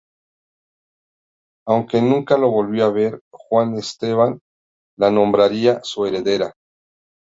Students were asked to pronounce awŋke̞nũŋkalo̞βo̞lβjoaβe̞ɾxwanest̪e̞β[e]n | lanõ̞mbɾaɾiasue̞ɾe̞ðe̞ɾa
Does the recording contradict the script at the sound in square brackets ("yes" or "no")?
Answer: yes